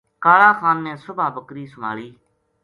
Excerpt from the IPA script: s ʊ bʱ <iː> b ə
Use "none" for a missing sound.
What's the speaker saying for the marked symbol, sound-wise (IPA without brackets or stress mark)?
aː